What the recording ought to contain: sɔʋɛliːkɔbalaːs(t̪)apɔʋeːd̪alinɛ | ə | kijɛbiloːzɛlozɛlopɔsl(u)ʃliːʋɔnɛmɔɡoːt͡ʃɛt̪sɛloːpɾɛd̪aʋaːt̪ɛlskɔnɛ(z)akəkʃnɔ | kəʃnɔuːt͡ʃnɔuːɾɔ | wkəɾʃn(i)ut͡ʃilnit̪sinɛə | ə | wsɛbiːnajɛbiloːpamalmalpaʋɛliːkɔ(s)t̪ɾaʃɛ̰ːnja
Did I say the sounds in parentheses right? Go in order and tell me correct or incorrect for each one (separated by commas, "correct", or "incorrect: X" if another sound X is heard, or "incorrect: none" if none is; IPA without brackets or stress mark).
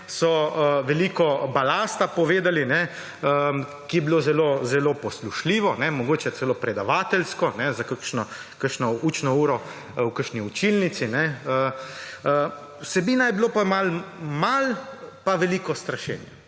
correct, correct, correct, correct, correct